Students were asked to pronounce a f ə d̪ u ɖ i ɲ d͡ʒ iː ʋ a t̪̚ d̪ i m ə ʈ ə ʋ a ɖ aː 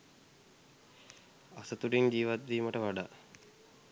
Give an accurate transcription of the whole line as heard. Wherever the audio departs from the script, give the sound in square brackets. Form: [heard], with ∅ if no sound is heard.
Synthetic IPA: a [s] ə [t̪] u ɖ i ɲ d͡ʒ iː ʋ a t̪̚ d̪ [iː] m ə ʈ ə ʋ a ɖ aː